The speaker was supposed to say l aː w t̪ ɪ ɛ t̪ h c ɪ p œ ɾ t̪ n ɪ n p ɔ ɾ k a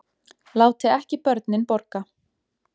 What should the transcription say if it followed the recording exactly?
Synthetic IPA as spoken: l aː w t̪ ɪ ɛ h c ɪ p œ ɾ t̪ n ɪ n p ɔ ɾ k a